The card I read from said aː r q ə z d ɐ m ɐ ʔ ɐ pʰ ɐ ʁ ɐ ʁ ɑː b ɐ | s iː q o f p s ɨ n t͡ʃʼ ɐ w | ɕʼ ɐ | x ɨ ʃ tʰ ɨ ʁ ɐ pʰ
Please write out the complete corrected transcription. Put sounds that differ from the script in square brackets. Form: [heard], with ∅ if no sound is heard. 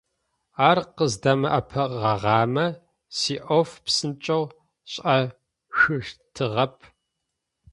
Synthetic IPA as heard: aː r q ə z d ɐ m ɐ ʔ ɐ pʰ ɐ ʁ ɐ ʁ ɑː [m] ɐ | s iː [ʔ] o f p s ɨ n t͡ʃʼ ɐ w | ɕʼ ɐ | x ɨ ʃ tʰ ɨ ʁ ɐ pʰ